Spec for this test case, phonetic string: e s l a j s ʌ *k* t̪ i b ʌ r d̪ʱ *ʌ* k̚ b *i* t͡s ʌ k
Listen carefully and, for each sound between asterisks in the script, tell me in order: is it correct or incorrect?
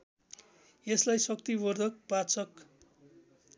correct, correct, incorrect

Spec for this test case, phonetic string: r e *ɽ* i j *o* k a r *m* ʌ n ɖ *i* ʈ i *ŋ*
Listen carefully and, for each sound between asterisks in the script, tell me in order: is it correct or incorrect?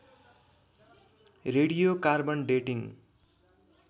correct, correct, incorrect, incorrect, correct

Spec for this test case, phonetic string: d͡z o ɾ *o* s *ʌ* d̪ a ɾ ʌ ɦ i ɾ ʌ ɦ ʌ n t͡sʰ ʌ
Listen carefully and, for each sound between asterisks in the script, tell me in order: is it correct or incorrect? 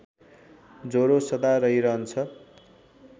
correct, correct

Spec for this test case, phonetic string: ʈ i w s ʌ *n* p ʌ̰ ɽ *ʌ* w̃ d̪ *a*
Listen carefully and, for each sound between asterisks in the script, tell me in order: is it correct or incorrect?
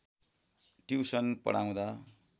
correct, incorrect, correct

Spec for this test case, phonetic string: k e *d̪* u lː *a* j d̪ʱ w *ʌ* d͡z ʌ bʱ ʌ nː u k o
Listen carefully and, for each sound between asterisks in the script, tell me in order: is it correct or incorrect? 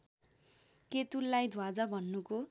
incorrect, correct, incorrect

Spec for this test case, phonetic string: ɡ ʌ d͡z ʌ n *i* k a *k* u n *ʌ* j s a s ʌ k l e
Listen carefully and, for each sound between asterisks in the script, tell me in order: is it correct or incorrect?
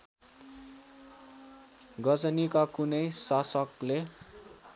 correct, correct, correct

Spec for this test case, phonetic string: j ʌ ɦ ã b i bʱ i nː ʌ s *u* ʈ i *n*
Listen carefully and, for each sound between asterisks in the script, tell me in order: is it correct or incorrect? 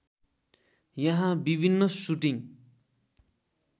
correct, incorrect

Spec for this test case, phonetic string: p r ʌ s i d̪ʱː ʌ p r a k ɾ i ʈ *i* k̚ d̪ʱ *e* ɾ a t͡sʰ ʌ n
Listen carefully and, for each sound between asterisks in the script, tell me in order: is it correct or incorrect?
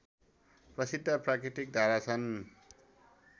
correct, incorrect

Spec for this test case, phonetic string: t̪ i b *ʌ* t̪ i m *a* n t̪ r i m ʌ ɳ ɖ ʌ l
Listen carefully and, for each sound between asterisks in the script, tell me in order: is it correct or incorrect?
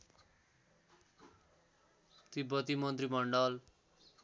correct, incorrect

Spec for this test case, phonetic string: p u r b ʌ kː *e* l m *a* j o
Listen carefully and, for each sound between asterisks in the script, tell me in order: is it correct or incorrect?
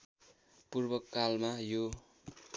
incorrect, correct

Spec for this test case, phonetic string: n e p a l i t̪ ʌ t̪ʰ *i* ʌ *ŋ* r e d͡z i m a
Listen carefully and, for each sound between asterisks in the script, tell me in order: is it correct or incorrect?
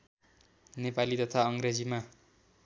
incorrect, correct

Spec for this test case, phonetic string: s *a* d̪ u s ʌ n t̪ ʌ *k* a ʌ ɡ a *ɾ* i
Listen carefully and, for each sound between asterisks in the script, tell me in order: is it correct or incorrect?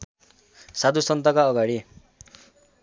correct, correct, incorrect

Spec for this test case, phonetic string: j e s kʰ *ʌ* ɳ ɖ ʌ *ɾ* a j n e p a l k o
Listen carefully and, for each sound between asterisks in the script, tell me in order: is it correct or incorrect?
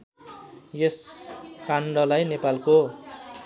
incorrect, incorrect

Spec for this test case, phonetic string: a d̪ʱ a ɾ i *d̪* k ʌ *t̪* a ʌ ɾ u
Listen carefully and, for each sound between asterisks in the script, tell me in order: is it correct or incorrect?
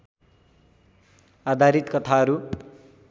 incorrect, incorrect

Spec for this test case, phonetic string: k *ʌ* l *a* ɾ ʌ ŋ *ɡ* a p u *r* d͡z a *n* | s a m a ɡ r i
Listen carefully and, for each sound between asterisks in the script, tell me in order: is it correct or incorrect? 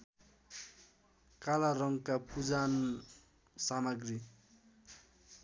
incorrect, correct, incorrect, incorrect, correct

